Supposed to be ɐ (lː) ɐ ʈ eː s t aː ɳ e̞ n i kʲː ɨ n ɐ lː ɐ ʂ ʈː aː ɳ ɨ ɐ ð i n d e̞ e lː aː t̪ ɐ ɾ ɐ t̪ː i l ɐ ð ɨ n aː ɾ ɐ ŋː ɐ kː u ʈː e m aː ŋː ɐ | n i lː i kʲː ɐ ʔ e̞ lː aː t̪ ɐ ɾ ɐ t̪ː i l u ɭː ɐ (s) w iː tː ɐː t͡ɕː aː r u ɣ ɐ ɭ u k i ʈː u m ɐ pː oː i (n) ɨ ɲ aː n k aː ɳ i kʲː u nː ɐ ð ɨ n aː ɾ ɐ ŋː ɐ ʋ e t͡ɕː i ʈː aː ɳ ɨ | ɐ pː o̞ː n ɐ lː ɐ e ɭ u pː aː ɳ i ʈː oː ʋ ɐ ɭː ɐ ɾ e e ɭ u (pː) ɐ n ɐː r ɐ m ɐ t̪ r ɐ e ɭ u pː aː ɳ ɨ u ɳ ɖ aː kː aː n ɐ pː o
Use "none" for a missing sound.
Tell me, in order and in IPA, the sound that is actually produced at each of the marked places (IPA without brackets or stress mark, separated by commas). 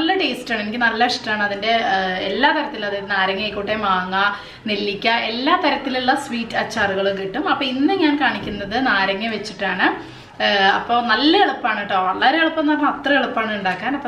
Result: lː, s, nː, pː